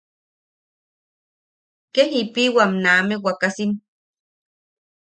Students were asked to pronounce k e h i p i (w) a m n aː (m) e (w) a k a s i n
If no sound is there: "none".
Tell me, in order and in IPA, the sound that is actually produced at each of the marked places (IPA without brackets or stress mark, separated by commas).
w, m, w